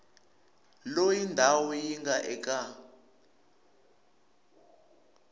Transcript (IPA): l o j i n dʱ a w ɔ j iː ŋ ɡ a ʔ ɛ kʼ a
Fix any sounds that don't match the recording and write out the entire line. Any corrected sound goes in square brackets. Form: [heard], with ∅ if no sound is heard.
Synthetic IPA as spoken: l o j i n dʱ a w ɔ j [i] ŋ ɡ a ʔ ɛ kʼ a